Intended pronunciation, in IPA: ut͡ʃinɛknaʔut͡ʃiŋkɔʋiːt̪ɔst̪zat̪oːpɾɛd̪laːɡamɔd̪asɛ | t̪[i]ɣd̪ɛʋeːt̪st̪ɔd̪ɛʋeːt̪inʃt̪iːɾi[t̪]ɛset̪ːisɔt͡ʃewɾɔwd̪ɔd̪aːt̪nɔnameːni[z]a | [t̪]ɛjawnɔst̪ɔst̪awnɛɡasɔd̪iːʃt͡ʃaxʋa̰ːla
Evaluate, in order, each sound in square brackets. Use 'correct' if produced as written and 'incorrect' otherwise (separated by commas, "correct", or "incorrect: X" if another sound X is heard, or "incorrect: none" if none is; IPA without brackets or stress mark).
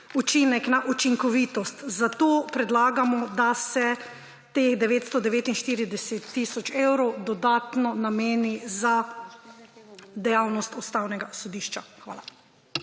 incorrect: e, incorrect: d̪, correct, incorrect: d̪